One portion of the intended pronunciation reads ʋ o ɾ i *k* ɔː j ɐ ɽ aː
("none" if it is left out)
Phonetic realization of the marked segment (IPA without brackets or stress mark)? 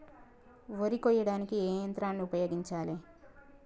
k